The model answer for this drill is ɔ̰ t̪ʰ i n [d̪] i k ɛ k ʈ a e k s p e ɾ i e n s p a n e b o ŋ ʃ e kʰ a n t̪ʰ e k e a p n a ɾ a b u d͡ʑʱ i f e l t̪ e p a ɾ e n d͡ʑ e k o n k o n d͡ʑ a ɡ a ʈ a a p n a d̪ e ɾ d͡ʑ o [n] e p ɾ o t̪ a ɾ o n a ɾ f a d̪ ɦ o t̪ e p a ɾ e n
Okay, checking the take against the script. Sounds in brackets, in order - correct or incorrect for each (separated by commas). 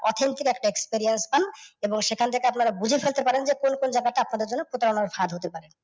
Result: incorrect, incorrect